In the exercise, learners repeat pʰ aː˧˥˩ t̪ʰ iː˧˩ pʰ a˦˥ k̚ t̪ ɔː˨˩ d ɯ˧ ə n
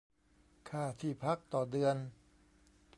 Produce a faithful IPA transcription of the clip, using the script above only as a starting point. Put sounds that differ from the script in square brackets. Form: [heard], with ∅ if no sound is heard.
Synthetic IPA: [kʰ] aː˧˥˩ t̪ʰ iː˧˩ pʰ a˦˥ k̚ t̪ ɔː˨˩ d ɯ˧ ə n